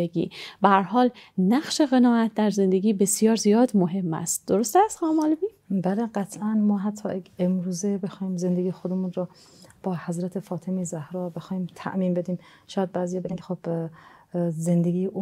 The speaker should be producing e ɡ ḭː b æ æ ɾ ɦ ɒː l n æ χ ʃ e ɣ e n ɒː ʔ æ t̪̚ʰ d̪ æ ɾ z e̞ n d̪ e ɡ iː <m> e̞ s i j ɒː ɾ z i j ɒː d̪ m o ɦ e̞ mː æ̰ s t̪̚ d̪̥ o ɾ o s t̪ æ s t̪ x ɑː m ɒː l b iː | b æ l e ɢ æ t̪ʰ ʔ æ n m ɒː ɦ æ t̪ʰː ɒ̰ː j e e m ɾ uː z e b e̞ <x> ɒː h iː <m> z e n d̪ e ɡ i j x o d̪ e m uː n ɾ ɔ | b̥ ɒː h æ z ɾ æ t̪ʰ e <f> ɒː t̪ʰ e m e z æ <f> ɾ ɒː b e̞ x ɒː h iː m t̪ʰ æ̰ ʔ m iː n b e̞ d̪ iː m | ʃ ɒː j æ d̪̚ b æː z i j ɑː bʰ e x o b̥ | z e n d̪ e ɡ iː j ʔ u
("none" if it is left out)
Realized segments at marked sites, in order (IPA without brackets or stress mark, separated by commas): b, x, m, f, h